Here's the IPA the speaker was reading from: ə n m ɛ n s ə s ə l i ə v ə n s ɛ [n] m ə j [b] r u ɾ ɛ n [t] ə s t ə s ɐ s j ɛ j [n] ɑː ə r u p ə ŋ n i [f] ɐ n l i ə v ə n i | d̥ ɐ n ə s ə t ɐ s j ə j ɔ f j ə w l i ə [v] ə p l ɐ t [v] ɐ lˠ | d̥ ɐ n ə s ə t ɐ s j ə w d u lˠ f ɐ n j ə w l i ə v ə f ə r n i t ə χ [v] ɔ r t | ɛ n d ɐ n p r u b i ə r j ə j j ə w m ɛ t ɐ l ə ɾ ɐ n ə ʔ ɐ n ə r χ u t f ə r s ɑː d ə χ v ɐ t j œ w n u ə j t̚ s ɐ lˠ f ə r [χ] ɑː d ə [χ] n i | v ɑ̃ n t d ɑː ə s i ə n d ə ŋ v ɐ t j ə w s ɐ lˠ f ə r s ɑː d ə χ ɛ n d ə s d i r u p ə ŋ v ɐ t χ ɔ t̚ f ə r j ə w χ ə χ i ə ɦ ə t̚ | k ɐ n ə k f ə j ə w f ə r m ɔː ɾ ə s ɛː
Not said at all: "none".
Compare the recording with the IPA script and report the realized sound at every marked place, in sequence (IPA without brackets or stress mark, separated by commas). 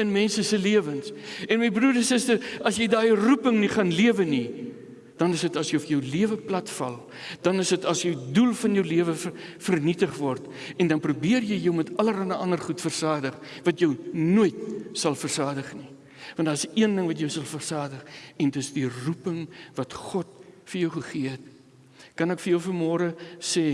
n, b, s, d, χ, v, f, v, s, χ